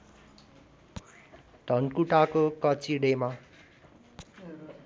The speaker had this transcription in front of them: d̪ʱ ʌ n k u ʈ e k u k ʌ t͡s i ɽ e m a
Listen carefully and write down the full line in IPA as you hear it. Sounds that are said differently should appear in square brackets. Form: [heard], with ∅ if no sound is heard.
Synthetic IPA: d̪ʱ ʌ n k u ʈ [a] k [o] k ʌ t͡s i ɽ e m a